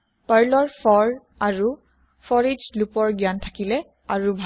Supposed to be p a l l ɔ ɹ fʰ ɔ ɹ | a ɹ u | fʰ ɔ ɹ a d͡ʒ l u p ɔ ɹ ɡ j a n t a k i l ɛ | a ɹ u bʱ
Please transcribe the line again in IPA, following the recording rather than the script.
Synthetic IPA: p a ɹ l ɔ ɹ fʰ ɔ ɹ | a ɹ u | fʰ ɔ ɹ i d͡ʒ l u p ɔ ɹ ɡ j a n tʰ a k i l ɛ | a ɹ u bʱ